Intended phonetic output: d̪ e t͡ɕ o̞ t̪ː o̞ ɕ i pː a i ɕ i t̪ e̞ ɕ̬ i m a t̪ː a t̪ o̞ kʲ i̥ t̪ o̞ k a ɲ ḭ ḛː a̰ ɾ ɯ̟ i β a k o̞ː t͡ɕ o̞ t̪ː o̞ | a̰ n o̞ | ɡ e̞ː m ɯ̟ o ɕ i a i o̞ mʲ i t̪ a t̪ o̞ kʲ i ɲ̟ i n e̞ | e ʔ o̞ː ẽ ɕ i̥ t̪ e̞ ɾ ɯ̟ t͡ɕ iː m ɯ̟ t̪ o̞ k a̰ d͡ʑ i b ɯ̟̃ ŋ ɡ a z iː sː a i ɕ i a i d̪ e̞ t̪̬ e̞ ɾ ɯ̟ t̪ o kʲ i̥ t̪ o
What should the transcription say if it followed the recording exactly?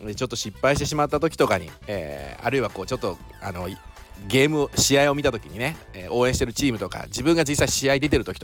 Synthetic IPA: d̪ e t͡ɕ o̞ t̪ː o̞ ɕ i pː a i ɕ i t̪ e̞ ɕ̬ i m a t̪ː a t̪ o̞ kʲ i̥ t̪ o̞ k a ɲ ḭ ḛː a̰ ɾ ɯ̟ i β a k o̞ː t͡ɕ o̞ t̪ː o̞ | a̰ n o̞ | ɡ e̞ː m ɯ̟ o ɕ i a i o̞ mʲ i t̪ a t̪ o̞ kʲ i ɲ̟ i n e̞ | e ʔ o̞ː ẽ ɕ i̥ t̪ e̞ ɾ ɯ̟ t͡ɕ iː m ɯ̟ t̪ o̞ k a̰ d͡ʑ i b ɯ̟̃ ŋ ɡ a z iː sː a i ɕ i a i d̪ e̞ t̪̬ e̞ ɾ ɯ̟ t̪ o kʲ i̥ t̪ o